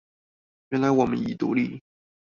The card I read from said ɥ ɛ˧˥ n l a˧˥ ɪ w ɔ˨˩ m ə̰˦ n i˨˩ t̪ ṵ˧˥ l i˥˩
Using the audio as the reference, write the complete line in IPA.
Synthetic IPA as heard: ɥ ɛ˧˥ n l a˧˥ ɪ w ɔ˨˩ m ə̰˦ n i˨˩ t̪ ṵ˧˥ l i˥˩